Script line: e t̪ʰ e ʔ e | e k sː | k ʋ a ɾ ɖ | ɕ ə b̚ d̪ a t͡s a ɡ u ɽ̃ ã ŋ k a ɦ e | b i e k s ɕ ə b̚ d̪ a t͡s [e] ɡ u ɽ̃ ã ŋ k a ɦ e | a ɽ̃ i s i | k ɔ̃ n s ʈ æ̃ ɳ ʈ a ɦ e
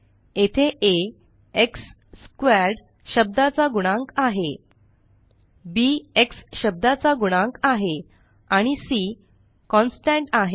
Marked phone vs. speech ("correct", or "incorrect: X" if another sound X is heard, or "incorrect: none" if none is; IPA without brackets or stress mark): incorrect: a